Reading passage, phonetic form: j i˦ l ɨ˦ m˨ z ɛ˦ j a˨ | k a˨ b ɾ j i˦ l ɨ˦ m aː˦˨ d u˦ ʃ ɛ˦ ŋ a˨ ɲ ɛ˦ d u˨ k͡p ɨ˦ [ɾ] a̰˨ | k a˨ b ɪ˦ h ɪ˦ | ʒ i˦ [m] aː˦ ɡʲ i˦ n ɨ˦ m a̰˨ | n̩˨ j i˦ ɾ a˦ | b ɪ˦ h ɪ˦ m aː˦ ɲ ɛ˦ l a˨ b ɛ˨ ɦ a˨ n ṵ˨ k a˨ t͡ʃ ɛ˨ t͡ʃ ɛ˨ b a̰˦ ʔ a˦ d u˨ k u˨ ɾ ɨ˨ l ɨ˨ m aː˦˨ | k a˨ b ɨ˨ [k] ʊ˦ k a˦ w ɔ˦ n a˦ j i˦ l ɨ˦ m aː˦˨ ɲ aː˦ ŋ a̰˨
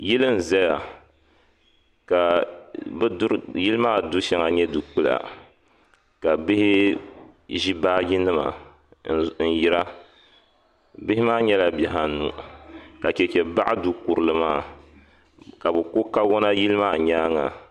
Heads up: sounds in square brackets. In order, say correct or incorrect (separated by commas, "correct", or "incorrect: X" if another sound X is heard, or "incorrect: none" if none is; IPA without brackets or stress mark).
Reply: incorrect: l, incorrect: b, correct